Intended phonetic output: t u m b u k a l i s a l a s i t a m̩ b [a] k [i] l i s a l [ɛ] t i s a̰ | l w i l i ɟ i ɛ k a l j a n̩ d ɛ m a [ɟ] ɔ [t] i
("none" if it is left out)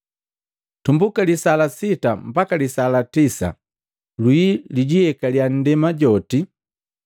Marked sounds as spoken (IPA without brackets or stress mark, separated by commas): a, a, a, ɟ, t